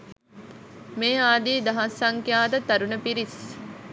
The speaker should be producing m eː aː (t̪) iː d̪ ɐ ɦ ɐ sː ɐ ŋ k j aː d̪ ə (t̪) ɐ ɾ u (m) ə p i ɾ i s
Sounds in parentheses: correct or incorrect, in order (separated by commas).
incorrect, correct, incorrect